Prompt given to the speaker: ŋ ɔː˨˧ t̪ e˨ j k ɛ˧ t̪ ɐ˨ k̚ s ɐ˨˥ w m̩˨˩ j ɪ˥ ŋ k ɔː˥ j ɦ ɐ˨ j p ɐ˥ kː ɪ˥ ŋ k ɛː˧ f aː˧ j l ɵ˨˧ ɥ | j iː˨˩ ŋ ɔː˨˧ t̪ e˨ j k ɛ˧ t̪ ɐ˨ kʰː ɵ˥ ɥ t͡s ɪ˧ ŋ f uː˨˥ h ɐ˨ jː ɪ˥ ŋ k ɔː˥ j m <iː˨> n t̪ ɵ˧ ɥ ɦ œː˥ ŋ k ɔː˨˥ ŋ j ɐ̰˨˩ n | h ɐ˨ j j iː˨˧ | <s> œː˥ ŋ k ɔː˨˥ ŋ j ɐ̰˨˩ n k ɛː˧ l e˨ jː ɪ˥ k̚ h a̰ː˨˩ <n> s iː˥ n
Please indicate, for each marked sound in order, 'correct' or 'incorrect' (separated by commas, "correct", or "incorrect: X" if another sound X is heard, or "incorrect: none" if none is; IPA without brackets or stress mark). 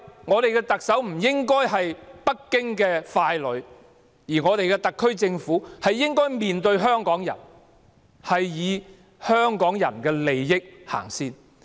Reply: correct, incorrect: h, incorrect: ŋ